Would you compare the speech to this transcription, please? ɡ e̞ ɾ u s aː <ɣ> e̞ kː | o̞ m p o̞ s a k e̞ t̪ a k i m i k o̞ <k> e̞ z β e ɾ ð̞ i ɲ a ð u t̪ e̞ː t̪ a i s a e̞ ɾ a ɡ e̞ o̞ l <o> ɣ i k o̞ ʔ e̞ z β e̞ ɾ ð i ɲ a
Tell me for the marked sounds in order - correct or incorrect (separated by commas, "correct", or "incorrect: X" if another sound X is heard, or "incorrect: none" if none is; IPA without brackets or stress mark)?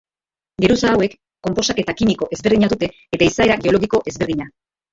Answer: incorrect: w, incorrect: ʔ, correct